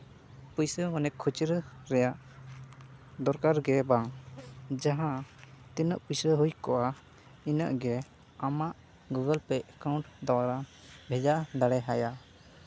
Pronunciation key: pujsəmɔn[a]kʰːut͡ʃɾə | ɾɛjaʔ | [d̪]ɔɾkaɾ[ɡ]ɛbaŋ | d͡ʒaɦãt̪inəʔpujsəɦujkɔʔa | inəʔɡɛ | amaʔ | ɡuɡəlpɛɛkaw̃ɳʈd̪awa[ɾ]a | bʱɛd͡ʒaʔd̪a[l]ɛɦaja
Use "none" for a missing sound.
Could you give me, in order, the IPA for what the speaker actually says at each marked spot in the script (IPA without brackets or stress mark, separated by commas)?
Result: ɛ, d̪, ɡ, ɾ, ɽ